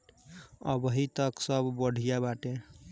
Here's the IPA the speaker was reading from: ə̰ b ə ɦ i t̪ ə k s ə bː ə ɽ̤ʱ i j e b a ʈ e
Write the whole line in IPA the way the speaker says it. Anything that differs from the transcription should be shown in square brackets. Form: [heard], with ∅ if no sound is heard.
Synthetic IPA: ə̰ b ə ɦ i t̪ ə k s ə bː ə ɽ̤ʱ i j [a] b a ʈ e